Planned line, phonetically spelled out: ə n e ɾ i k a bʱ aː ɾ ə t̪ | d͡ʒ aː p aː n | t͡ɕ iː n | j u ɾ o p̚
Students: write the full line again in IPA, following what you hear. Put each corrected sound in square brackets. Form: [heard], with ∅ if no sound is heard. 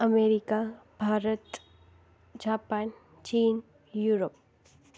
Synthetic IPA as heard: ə [m] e ɾ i k a bʱ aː ɾ ə t̪ | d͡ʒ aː p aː n | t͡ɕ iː n | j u ɾ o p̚